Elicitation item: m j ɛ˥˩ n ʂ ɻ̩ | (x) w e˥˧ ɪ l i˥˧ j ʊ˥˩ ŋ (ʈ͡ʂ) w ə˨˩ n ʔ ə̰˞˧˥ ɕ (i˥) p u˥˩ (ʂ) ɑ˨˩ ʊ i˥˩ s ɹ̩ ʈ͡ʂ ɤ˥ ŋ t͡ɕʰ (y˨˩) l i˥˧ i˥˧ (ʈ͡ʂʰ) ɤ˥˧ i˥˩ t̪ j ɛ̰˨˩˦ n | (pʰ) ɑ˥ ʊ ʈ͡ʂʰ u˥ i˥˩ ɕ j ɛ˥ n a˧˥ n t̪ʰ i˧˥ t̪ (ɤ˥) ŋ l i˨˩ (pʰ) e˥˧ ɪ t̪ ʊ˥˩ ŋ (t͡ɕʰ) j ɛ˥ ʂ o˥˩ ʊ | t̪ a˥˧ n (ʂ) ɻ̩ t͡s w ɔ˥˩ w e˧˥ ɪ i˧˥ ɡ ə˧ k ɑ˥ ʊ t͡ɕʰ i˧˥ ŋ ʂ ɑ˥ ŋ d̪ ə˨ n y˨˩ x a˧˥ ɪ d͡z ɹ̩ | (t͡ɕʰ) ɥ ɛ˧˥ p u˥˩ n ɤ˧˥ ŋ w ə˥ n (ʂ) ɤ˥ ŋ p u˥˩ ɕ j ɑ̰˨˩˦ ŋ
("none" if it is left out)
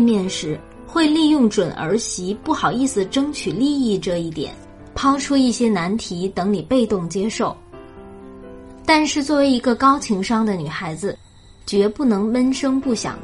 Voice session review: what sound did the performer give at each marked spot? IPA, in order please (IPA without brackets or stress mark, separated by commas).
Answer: x, ʈ͡ʂ, i˧˥, x, y˨˩, ʈ͡ʂ, pʰ, ɤ˧˥, p, t͡ɕ, ʂ, t͡ɕ, ʂ